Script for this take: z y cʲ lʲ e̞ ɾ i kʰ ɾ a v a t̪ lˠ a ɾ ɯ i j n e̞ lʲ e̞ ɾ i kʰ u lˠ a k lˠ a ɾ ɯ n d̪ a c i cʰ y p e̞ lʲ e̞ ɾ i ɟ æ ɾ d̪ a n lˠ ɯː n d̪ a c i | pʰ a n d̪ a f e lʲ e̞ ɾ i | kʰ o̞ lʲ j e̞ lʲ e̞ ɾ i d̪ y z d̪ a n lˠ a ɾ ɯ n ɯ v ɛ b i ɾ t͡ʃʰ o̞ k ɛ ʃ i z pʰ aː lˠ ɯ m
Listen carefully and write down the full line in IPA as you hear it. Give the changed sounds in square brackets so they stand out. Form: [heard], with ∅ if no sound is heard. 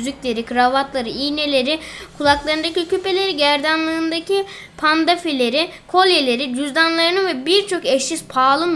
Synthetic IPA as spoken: z y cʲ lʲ e̞ ɾ i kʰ ɾ a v a t̪ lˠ a ɾ ɯ i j n e̞ lʲ e̞ ɾ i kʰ u lˠ a k lˠ a ɾ ɯ n d̪ a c i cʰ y p e̞ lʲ e̞ ɾ i ɟ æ ɾ d̪ a n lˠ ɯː n d̪ a c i | pʰ a n d̪ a f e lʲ e̞ ɾ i | kʰ o̞ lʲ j e̞ lʲ e̞ ɾ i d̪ y z d̪ a n lˠ a ɾ ɯ n ɯ v ɛ b i ɾ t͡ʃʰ o̞ k ɛ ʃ i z pʰ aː lˠ ɯ m